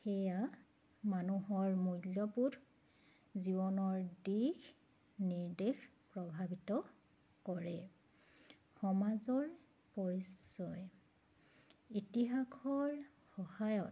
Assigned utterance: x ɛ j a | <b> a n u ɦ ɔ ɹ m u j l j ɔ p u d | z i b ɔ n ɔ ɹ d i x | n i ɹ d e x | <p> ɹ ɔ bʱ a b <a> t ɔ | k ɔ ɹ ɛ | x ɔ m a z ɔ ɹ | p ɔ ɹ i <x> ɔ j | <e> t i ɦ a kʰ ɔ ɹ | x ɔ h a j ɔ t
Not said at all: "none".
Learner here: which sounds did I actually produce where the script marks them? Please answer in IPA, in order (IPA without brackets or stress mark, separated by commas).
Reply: m, p, i, s, i